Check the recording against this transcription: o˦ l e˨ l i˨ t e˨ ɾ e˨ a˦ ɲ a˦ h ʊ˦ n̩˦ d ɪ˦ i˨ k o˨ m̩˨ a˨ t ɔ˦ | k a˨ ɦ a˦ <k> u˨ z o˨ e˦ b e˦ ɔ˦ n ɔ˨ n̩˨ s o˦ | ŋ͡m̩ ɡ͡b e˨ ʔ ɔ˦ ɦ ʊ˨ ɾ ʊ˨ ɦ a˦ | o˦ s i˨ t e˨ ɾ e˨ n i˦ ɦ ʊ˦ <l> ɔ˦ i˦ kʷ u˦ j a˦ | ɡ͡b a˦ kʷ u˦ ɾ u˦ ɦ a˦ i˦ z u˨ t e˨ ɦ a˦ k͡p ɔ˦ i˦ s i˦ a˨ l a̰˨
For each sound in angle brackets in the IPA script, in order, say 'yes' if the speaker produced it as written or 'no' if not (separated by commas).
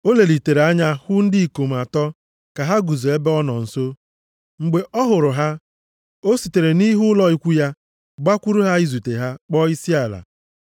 no, yes